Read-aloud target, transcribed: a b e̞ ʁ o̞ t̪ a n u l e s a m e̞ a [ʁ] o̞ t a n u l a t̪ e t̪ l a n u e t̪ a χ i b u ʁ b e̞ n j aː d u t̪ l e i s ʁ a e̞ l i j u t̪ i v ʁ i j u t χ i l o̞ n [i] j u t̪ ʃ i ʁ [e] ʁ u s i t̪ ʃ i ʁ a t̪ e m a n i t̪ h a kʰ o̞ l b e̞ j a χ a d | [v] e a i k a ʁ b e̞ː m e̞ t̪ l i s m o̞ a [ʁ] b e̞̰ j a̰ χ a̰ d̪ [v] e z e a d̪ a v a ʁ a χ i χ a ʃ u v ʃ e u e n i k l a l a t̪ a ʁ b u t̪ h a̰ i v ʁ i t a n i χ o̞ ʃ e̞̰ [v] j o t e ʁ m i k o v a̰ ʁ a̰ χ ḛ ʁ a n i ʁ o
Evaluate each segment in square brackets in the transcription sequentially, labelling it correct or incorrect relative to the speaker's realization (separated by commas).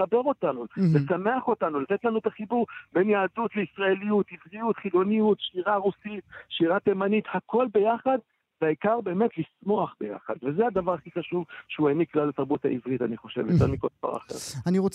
incorrect, correct, incorrect, correct, incorrect, correct, correct